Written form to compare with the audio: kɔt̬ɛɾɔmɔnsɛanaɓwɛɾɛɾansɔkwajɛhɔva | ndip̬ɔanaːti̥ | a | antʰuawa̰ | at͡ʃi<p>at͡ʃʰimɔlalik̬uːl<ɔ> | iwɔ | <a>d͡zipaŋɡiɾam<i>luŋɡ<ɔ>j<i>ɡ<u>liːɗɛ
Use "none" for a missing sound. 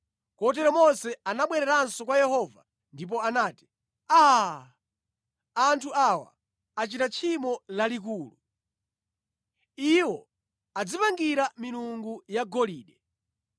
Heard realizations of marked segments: t, u, a, i, u, a, ɔ

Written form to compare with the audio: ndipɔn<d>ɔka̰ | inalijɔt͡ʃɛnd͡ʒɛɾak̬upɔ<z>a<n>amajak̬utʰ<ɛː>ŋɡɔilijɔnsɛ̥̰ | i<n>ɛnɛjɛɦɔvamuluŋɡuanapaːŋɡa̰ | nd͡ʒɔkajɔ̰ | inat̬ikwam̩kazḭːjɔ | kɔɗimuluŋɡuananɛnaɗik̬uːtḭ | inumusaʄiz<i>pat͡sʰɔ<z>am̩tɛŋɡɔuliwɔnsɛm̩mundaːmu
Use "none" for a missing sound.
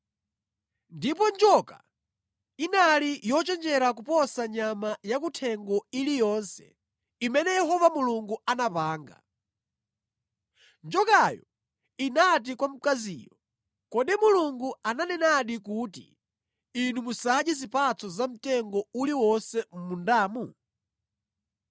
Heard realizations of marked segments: d͡ʒ, s, ɲ, ɛ, m, i, z

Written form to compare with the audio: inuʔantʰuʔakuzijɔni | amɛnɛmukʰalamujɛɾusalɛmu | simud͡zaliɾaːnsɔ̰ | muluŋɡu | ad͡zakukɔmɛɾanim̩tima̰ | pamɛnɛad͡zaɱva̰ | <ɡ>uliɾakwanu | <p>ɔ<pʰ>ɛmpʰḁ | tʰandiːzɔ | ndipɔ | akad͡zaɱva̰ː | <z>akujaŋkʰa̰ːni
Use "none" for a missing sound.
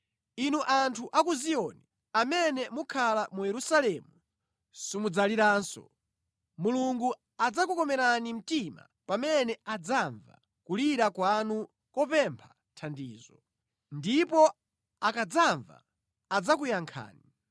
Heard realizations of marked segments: k, k, p, d͡z

